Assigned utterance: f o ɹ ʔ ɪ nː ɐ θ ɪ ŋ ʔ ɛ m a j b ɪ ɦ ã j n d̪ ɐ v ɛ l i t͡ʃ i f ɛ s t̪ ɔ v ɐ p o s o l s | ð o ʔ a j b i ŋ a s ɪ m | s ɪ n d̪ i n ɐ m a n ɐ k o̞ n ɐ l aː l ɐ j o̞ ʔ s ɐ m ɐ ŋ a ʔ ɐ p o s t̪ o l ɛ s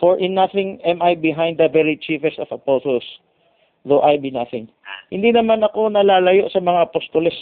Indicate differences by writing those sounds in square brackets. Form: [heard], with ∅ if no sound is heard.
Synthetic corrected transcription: f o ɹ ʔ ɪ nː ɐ θ ɪ ŋ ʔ ɛ m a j b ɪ ɦ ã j n d̪ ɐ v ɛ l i t͡ʃ i f ɛ s t̪ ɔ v ɐ p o s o l s | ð o ʔ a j b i [n] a [θ] ɪ [ŋ] | [h] ɪ n d̪ i n ɐ m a n ɐ k o̞ n ɐ l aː l ɐ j o̞ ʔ s ɐ m ɐ ŋ a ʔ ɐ p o s t̪ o l ɛ s